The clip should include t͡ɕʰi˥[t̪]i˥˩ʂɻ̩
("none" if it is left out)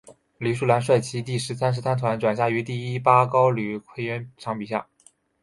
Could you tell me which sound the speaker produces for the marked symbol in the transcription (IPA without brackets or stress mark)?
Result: t̪